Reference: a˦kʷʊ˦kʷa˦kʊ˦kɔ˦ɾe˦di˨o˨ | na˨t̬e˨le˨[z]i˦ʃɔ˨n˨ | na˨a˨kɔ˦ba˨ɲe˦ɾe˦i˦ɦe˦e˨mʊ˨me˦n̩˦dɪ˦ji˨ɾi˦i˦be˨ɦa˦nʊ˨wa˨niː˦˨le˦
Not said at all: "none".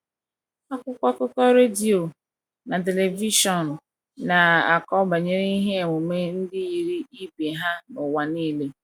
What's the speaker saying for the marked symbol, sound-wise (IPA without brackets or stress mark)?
v